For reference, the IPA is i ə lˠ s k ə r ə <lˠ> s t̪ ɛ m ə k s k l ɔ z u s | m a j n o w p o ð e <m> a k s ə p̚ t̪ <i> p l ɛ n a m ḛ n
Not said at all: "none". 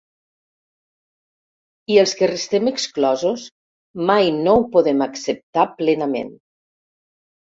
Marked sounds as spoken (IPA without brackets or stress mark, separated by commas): none, m, a